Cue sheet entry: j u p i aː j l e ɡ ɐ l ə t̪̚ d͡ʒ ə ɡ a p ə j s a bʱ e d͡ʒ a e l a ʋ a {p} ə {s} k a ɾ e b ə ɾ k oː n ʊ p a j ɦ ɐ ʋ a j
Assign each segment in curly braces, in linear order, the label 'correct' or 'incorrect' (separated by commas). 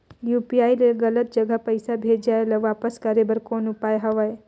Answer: correct, correct